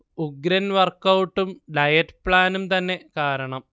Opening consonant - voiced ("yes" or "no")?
yes